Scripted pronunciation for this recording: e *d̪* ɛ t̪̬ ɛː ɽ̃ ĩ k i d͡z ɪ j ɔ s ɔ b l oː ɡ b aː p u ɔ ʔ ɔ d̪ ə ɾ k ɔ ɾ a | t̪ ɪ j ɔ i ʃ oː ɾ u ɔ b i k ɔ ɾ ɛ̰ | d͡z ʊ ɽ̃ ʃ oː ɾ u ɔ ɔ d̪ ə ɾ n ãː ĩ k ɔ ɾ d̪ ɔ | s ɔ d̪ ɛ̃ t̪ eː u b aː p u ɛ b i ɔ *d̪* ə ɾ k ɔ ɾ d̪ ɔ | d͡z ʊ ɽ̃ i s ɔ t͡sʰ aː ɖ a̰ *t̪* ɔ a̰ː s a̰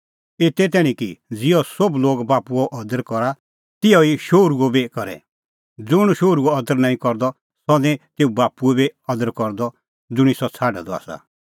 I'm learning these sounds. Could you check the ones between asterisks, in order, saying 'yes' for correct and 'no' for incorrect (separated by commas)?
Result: no, yes, no